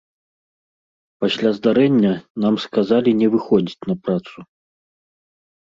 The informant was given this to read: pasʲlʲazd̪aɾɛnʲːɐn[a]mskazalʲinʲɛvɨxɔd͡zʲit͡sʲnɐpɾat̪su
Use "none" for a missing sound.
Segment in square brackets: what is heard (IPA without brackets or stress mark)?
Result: a